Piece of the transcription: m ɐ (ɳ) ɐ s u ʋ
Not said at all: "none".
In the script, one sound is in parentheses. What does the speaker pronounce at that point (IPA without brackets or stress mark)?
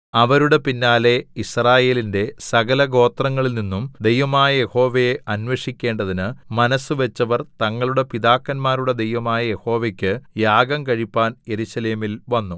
n